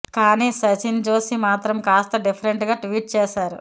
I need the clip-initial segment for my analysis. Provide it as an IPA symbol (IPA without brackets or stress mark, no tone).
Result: k